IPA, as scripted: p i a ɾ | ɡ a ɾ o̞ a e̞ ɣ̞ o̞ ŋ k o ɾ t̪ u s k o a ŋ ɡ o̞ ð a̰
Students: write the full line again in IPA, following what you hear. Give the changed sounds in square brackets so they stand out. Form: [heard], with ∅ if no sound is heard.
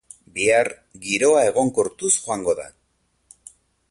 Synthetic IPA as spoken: [b] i a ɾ | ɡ [i] ɾ o̞ a e̞ ɣ̞ o̞ ŋ k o ɾ t̪ u s [x] o a ŋ ɡ o̞ ð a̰

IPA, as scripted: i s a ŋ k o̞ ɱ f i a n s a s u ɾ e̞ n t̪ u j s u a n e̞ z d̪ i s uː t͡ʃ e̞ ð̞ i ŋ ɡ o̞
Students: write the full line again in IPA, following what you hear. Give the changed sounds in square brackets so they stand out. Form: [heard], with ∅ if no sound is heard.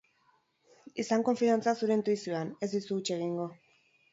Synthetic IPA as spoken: i s a ŋ k o̞ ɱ f i a n [t͡s] a s u ɾ e̞ n t̪ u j s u a n e̞ z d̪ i s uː t͡ʃ e̞ [ɣ̞] i ŋ ɡ o̞

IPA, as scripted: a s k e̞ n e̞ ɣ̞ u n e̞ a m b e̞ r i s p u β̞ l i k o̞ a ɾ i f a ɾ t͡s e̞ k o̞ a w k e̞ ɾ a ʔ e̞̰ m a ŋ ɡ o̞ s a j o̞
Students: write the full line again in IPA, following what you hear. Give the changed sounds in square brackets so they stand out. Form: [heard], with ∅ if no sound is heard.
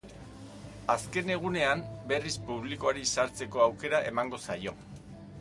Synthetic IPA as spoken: a s k e̞ n e̞ ɣ̞ u n e̞ a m b e̞ r i s p u β̞ l i k o̞ a ɾ i [s] a ɾ t͡s e̞ k o̞ a w k e̞ ɾ a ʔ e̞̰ m a ŋ ɡ o̞ s a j o̞

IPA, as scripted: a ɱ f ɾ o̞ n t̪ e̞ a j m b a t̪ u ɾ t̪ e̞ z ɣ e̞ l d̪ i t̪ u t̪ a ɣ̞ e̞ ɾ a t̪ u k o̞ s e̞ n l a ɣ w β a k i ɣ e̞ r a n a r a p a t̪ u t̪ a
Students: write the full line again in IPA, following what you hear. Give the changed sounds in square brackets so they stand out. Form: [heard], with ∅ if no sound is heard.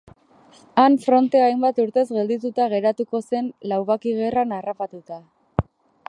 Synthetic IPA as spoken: a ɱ f ɾ o̞ n t̪ e̞ a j m b a t̪ u ɾ t̪ e̞ z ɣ e̞ l d̪ i t̪ u t̪ a ɣ̞ e̞ ɾ a t̪ u k o̞ s e̞ n l a [∅] w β a k i ɣ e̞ r a n a r a p a t̪ u t̪ a

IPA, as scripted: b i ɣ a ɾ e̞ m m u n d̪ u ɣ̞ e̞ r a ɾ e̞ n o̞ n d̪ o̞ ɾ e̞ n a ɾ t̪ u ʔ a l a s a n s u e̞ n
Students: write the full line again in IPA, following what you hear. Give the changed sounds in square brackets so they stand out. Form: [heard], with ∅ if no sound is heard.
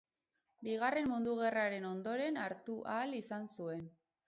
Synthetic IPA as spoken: b i ɣ a [r] e̞ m m u n d̪ u ɣ̞ e̞ r a ɾ e̞ n o̞ n d̪ o̞ ɾ e̞ n a ɾ t̪ u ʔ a l [i] s a n s u e̞ n

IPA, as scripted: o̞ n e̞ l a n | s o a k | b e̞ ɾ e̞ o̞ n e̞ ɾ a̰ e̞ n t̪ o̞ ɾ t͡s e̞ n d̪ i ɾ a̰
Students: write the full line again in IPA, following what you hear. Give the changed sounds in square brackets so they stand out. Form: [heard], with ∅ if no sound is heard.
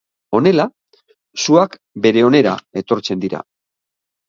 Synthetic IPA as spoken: o̞ n e̞ l a [∅] | s [u] a k | b e̞ ɾ e̞ o̞ n e̞ ɾ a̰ e̞ [∅] t̪ o̞ ɾ t͡s e̞ n d̪ i ɾ a̰

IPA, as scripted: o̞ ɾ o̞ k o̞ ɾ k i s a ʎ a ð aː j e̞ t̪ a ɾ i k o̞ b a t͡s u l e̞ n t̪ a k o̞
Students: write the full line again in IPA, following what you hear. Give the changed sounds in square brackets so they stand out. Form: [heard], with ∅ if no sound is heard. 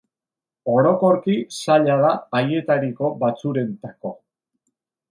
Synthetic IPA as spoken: o̞ ɾ o̞ k o̞ ɾ k i s a ʎ a ð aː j e̞ t̪ a ɾ i k o̞ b a t͡s u [ɾ] e̞ n t̪ a k o̞

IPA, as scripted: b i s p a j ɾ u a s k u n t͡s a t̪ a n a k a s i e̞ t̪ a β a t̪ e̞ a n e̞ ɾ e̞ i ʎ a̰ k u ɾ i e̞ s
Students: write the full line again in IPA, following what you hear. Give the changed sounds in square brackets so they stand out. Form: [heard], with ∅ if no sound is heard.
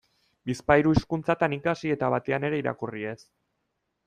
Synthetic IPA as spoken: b i s p a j ɾ u [i] s k u n t͡s a t̪ a n [i] k a s i e̞ t̪ a β a t̪ e̞ a n e̞ ɾ e̞ i [ɾ] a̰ k u [r] i e̞ s

